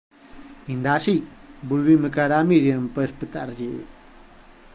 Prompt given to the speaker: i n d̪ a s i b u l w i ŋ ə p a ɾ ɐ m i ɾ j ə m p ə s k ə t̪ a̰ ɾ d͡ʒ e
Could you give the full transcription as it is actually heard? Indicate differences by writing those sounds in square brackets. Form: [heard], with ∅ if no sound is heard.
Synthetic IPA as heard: i n d̪ a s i b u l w i [m] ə [k] a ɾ [a] m i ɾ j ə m p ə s [p] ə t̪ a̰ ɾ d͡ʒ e